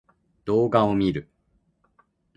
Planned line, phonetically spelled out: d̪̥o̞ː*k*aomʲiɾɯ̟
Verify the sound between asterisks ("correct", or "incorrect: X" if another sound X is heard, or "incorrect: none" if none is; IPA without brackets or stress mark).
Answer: incorrect: ɡ